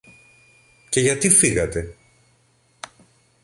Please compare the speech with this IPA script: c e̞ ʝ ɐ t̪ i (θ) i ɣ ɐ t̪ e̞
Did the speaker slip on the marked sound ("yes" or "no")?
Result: yes